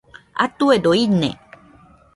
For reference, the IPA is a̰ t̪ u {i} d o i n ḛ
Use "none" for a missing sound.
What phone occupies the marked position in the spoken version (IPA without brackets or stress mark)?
e